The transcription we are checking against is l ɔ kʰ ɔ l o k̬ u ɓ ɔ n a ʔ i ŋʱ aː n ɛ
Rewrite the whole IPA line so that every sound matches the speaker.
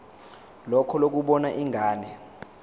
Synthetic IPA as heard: l ɔ kʰ ɔ l o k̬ u ɓ ɔ n a ʔ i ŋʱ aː n ɛ